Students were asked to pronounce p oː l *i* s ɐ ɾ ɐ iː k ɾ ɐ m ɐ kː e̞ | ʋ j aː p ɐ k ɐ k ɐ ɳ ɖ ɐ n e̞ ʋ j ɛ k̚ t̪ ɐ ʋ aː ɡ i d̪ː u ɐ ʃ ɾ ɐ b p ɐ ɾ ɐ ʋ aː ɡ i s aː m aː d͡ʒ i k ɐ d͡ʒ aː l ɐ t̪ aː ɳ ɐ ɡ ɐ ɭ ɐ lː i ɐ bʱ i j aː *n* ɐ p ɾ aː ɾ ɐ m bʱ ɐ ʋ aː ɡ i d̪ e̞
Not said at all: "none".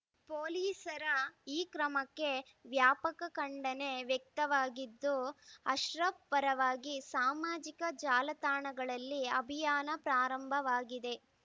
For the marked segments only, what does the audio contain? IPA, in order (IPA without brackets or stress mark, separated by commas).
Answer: iː, n